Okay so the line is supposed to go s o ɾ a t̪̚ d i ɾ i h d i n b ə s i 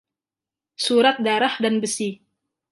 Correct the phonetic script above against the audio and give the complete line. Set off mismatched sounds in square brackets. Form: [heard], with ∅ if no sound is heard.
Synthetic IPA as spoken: s [u] ɾ a t̪̚ d [a] ɾ [a] h d [a] n b ə s i